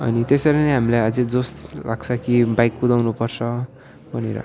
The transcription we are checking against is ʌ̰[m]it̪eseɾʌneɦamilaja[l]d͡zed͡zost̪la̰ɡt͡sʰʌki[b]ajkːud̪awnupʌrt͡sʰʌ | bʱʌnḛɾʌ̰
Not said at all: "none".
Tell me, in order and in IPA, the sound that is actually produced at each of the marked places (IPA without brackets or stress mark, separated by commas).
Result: n, none, b